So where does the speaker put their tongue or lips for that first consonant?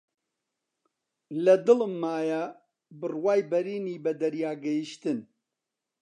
tongue tip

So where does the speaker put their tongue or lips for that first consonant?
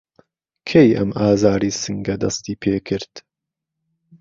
velum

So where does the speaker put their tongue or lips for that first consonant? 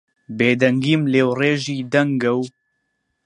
lips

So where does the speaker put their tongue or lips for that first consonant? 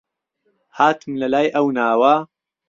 throat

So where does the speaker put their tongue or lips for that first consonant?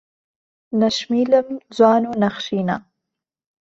tongue tip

